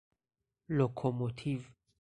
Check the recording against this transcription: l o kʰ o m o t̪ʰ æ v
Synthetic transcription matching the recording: l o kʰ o m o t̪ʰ i v